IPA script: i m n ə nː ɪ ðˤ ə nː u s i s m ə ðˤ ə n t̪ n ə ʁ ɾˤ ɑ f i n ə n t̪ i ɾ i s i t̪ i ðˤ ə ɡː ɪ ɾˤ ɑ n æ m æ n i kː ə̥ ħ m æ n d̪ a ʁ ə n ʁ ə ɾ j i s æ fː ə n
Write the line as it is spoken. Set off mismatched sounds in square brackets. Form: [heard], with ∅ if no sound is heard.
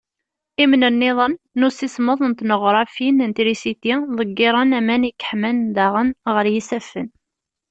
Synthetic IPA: i m n ə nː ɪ ðˤ ə nː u s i s m ə ðˤ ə n t̪ n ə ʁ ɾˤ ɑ f i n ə n t̪ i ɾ i s i t̪ i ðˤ ə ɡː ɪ ɾˤ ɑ n æ m æ n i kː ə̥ ħ m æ n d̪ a ʁ ə n ʁ ə ɾ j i s æ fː ə n